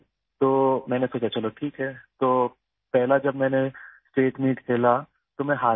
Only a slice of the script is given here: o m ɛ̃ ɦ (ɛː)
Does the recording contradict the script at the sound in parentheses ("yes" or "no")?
yes